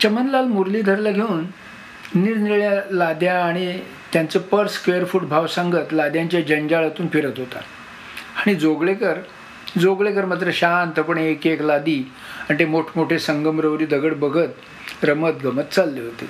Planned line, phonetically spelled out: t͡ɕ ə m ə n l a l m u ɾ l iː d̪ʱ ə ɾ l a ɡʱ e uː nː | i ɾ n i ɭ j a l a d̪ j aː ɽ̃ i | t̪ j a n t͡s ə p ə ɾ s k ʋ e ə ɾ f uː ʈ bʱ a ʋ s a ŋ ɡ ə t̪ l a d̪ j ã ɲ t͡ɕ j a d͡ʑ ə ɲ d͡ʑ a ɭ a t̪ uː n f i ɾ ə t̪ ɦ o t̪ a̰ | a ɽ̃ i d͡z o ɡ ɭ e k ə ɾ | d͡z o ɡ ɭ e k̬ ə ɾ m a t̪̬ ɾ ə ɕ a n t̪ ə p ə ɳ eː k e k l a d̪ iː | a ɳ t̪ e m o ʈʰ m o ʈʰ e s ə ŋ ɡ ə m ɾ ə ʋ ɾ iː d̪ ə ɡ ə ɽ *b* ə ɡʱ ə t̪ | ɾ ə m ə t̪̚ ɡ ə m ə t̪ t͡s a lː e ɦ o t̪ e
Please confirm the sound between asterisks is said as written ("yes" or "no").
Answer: yes